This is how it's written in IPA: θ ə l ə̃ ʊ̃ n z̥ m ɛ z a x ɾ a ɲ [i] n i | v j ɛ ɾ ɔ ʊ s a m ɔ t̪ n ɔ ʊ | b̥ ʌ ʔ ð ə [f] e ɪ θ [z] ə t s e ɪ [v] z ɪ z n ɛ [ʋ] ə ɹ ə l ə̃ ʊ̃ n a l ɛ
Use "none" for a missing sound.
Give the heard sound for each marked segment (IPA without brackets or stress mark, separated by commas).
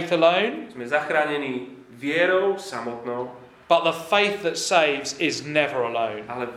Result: ɛ, f, ð, v, v